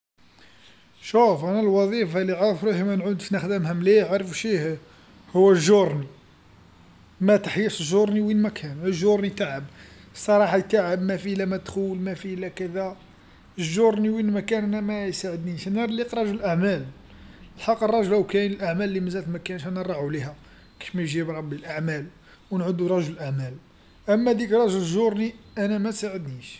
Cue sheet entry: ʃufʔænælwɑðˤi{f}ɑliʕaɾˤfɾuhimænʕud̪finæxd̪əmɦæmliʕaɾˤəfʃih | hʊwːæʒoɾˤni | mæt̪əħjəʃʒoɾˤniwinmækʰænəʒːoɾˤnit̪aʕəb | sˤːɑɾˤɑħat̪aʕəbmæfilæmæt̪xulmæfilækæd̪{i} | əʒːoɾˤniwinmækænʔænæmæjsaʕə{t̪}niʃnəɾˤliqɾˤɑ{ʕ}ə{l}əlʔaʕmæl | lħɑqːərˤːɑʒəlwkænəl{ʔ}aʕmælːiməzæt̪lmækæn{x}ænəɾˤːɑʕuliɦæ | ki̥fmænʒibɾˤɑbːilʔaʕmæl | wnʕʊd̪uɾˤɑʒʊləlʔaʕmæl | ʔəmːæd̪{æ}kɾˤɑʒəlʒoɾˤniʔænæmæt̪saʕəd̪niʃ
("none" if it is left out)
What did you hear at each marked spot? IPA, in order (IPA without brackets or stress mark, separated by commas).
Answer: f, æ, d̪, ʒ, l, ʔ, ʃ, i